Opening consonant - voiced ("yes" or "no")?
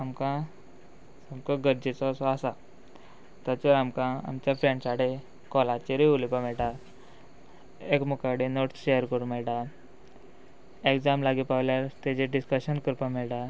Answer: yes